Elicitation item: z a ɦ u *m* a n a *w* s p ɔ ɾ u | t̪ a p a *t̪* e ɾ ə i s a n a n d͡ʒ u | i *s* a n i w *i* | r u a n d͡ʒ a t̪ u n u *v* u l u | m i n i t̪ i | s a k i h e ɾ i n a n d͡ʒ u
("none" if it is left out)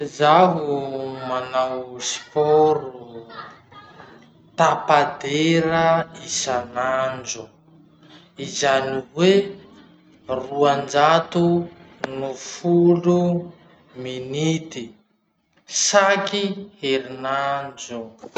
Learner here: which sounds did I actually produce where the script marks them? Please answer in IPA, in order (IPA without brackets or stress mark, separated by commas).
m, w, d̪, z, e, f